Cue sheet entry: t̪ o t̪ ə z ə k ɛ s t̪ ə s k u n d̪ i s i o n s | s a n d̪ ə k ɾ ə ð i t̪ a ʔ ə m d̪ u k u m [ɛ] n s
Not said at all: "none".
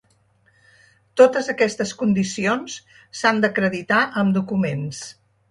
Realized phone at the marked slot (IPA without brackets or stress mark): e